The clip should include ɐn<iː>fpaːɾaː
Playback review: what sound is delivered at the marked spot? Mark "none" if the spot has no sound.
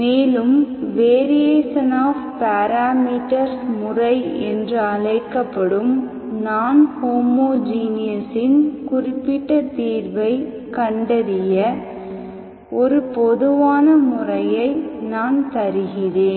aː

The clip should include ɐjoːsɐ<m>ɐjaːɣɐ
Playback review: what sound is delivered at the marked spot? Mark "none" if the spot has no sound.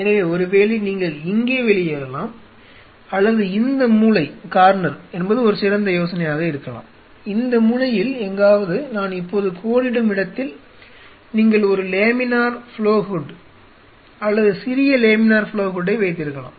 n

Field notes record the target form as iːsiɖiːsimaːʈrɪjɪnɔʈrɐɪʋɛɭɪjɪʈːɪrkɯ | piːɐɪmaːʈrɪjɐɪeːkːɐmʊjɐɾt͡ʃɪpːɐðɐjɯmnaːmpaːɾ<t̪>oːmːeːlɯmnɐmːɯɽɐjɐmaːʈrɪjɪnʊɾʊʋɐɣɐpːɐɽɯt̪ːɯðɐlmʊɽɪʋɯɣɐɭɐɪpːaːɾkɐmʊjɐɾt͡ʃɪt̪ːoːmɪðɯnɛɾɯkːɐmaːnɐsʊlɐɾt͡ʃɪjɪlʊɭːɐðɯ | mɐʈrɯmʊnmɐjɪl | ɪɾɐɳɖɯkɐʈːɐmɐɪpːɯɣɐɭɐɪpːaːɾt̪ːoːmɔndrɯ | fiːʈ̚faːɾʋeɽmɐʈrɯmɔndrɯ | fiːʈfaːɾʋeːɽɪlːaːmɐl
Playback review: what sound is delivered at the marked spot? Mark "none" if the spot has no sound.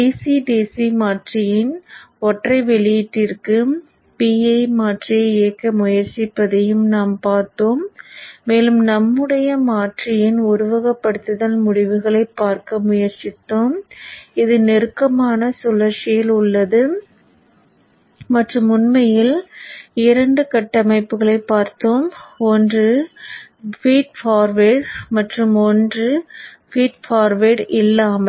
t̪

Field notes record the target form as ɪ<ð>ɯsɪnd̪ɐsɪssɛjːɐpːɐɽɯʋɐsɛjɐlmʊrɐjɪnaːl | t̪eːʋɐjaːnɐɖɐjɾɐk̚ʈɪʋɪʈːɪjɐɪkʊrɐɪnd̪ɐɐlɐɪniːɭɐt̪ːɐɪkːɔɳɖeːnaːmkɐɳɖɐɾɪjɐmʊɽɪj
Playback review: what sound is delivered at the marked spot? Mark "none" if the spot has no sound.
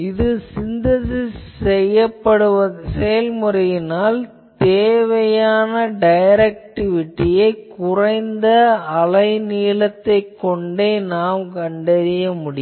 ð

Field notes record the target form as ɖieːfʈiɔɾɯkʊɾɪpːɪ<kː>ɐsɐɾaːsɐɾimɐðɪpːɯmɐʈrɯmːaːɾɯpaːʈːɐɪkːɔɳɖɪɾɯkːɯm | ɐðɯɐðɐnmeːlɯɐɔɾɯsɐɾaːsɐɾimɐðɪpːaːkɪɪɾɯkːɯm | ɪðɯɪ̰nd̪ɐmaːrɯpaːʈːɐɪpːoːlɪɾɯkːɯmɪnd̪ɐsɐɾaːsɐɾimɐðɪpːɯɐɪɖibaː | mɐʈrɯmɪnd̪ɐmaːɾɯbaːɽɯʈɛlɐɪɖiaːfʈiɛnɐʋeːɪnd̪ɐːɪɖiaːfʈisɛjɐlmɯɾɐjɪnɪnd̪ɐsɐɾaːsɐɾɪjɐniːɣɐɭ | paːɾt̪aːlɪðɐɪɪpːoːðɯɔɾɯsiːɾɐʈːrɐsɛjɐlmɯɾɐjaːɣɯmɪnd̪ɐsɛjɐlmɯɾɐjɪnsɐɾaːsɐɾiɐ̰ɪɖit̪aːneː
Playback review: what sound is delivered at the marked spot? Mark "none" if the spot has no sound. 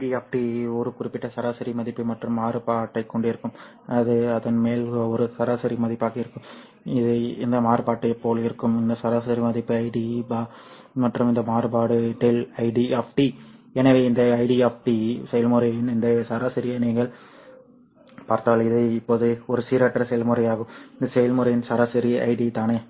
ʈː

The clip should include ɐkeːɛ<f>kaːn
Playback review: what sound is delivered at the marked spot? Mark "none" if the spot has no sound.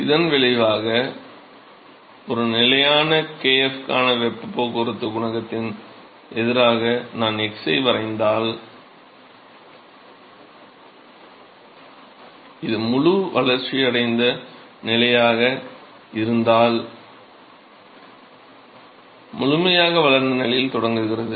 f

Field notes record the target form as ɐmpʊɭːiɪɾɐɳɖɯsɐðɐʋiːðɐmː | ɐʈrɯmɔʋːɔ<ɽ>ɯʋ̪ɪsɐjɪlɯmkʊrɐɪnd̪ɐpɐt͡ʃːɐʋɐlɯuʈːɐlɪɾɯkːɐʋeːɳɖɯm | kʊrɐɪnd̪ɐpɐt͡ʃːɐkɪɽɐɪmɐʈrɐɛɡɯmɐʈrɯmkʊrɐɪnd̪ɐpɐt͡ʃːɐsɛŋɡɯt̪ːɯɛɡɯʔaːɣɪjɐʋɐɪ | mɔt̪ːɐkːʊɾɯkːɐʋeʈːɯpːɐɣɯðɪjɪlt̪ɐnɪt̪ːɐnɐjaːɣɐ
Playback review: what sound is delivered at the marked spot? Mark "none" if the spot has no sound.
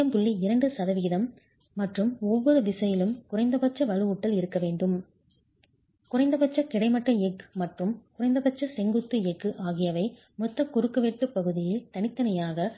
ɾ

